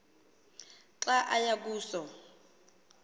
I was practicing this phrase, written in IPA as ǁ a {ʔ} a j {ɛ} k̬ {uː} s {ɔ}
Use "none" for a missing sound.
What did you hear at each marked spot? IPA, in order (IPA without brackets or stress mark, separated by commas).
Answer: ʔ, a, uː, ɔ